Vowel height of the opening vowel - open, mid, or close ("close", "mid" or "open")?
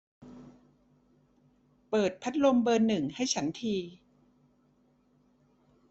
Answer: mid